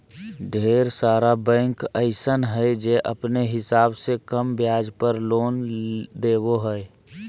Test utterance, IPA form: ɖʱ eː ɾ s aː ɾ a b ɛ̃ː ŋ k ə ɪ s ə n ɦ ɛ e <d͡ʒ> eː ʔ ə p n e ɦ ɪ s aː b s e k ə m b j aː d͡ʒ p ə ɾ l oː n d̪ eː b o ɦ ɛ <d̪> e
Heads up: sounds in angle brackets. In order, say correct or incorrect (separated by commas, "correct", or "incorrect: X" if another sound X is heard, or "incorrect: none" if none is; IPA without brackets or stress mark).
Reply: correct, incorrect: none